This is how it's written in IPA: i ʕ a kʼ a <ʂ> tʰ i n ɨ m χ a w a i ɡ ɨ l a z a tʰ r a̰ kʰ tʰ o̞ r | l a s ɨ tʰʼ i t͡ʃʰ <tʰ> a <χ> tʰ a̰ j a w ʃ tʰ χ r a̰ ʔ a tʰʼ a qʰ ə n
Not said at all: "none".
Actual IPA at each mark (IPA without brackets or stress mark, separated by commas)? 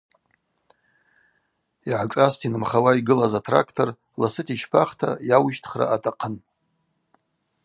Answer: s, pʰ, χ